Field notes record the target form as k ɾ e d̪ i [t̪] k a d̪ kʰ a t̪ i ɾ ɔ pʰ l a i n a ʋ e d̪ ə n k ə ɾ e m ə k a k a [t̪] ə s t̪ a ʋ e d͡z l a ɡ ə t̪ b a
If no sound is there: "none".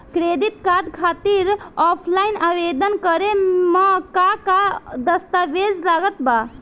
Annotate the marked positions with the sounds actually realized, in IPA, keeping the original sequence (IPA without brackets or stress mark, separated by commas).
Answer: t̪, d̪